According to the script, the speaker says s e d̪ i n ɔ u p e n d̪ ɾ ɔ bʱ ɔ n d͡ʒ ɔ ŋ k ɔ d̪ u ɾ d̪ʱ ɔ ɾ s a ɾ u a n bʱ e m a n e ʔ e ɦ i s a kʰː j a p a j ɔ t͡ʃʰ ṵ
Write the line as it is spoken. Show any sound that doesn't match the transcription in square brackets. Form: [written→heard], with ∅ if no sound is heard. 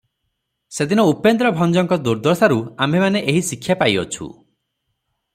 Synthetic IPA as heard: s e d̪ i n ɔ u p e n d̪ ɾ ɔ bʱ ɔ n d͡ʒ ɔ ŋ k ɔ d̪ u ɾ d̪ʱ ɔ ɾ s a ɾ u a [n→m] bʱ e m a n e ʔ e ɦ i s [a→i] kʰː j a p a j ɔ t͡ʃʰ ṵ